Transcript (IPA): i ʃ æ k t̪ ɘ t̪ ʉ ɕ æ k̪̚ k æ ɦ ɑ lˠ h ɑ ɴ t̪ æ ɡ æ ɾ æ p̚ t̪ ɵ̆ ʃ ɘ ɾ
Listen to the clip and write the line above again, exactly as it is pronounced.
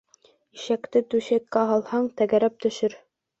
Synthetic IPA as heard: i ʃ æ k t̪ ɘ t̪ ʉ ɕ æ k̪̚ k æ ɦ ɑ lˠ h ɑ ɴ t̪ æ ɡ æ ɾ æ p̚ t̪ ɵ̆ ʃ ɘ ɾ